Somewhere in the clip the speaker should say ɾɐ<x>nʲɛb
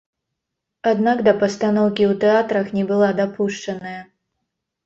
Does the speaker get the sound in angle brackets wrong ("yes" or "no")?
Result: no